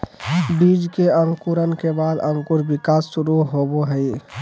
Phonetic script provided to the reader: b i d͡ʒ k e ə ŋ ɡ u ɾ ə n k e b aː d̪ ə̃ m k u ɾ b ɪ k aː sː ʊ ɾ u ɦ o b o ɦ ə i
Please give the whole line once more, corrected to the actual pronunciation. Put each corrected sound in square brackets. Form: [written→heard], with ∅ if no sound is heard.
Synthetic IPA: b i d͡ʒ k e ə ŋ [ɡ→k] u ɾ ə n k e b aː d̪ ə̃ [m→ŋ] k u ɾ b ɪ k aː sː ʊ ɾ u ɦ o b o ɦ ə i